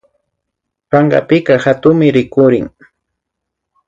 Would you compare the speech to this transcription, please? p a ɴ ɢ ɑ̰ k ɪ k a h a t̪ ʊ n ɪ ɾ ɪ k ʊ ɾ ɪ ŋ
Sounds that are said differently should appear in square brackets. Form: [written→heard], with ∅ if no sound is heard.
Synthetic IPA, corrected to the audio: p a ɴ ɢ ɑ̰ [k→p] ɪ k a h a t̪ ʊ [n→m] ɪ ɾ ɪ k ʊ ɾ ɪ ŋ